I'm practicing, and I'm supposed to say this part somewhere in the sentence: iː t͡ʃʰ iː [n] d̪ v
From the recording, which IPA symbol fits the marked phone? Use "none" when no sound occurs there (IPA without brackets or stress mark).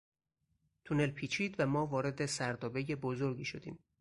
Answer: none